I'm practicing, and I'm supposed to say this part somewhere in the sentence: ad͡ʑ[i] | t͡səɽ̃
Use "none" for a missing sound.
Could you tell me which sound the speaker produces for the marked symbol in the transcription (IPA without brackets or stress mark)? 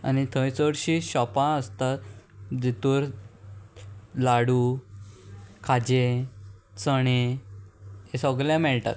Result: e